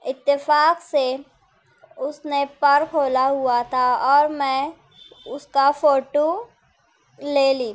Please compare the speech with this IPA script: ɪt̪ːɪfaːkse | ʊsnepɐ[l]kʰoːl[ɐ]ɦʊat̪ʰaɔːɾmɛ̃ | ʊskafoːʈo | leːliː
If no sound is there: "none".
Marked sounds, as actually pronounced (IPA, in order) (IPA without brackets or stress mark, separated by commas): ɾ, a